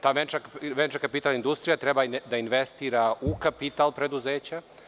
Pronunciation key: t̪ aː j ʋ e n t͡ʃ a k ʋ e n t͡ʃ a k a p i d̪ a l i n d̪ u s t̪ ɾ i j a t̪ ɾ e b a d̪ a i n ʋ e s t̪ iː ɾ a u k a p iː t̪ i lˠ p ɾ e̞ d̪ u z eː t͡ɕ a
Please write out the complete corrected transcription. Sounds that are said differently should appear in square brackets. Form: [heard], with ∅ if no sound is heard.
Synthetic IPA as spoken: t̪ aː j ʋ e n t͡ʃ a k ʋ e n t͡ʃ a k a p i [t̪] a l i n d̪ u s t̪ ɾ i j a t̪ ɾ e b a d̪ a i n ʋ e s t̪ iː ɾ a u k a p [i] t̪ [a] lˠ p ɾ e̞ d̪ u z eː t͡ɕ a

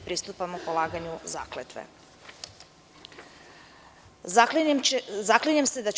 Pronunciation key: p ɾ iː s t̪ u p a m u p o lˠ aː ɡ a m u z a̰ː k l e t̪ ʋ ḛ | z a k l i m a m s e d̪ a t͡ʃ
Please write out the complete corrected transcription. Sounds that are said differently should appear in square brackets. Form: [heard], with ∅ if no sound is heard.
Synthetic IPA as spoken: p ɾ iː s t̪ u p a m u p o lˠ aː ɡ a [ɲ] u z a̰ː k l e t̪ ʋ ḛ | z a k l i [ɲ] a m s e d̪ a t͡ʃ

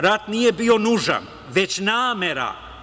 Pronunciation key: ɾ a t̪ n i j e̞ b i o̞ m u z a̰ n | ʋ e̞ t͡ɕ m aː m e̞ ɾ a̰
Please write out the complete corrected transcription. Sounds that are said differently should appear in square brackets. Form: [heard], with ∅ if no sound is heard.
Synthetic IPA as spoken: ɾ a t̪ n i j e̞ b i o̞ [n] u [ʒ] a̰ n | ʋ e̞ t͡ɕ [n] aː m e̞ ɾ a̰

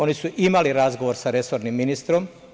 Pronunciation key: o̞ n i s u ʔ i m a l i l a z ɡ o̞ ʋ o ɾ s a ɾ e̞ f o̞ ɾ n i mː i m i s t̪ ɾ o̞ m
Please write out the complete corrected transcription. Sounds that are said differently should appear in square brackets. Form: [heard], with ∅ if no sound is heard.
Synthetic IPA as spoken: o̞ n i s u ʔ i m a l i [ɾ] a z ɡ o̞ ʋ o ɾ s a ɾ e̞ [s] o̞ ɾ n i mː i [n] i s t̪ ɾ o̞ m

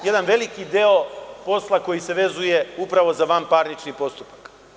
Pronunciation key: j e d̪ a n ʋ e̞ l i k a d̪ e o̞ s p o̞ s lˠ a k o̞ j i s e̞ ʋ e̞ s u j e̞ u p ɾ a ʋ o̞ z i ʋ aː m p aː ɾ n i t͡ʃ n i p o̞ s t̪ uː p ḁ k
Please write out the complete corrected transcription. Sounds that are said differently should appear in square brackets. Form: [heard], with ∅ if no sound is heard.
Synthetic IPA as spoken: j e d̪ a n ʋ e̞ l i k [i] d̪ e o̞ [∅] p o̞ s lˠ a k o̞ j i s e̞ ʋ e̞ [z] u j e̞ u p ɾ a ʋ o̞ z [a] ʋ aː m p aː ɾ n i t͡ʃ n i p o̞ s t̪ [u] p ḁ k

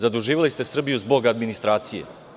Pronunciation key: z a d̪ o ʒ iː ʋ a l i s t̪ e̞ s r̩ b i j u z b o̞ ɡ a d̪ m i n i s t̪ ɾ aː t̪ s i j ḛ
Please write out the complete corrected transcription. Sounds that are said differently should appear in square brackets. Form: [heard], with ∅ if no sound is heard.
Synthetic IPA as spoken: z a d̪ [u] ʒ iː ʋ a l i s t̪ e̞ s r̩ b i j u z b o̞ ɡ a d̪ m i n i s t̪ ɾ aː t̪ s i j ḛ

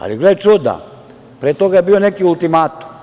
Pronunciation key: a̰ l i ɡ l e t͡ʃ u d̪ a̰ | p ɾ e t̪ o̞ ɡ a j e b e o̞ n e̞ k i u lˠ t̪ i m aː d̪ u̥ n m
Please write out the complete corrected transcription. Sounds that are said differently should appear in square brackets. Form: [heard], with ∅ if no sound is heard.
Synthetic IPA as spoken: a̰ l i ɡ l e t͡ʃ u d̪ a̰ | p ɾ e t̪ o̞ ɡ a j e b [i] o̞ n e̞ k i u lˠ t̪ i m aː [t̪] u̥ [∅] m

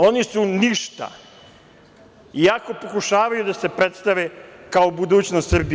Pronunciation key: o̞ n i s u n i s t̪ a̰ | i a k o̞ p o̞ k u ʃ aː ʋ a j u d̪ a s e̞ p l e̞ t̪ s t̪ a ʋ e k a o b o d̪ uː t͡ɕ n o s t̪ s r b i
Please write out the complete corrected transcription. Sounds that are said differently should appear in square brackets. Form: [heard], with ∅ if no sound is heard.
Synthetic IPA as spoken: o̞ n i s u n i [ʃ] t̪ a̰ | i a k o̞ p o̞ k u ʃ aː ʋ a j u d̪ a s e̞ p [ɾ] e̞ t̪ s t̪ a ʋ e k a o b [u] d̪ uː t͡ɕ n o s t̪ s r b i

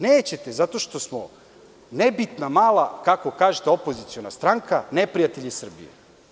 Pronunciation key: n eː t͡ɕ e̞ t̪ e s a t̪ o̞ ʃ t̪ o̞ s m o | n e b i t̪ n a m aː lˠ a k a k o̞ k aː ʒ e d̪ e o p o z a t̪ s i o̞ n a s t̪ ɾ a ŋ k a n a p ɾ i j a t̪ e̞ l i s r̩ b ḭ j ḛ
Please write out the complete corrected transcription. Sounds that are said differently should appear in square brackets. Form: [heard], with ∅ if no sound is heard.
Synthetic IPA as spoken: n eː t͡ɕ e̞ t̪ e [z] a t̪ o̞ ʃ t̪ o̞ s m o | n e b i t̪ n a m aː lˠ a k a k o̞ k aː ʒ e [t̪] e o p o z [i] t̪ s i o̞ n a s t̪ ɾ a ŋ k a n [e] p ɾ i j a t̪ e̞ [ʎ] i s r̩ b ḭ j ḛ

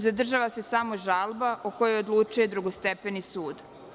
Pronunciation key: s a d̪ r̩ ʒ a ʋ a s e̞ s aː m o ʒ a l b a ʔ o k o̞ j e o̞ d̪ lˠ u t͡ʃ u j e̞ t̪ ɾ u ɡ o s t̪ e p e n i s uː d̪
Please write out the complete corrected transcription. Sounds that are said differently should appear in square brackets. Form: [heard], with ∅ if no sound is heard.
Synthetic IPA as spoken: [z] a d̪ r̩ ʒ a ʋ a s e̞ s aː m o ʒ a l b a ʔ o k o̞ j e o̞ d̪ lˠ u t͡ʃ u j e̞ [d̪] ɾ u ɡ o s t̪ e p e n i s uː d̪

